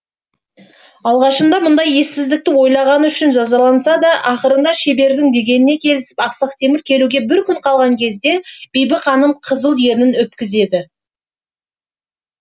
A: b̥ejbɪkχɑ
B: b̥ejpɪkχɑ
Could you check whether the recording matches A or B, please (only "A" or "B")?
A